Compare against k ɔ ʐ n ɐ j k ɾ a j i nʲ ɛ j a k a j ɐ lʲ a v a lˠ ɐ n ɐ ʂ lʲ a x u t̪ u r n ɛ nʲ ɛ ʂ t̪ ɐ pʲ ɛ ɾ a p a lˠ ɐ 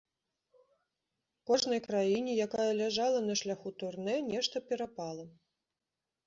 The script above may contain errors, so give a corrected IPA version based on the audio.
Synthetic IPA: k ɔ ʐ n ɐ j k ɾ a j i nʲ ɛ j a k a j ɐ lʲ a ʐ a lˠ ɐ n ɐ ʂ lʲ a x u t̪ u r n ɛ nʲ ɛ ʂ t̪ ɐ pʲ ɛ ɾ a p a lˠ ɐ